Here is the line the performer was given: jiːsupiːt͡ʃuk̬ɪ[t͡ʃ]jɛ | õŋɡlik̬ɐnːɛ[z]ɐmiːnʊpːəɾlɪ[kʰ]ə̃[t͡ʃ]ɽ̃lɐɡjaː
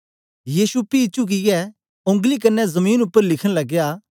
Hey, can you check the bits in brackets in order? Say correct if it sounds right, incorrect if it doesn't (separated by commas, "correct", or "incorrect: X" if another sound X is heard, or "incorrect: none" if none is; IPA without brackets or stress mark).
incorrect: none, correct, correct, incorrect: none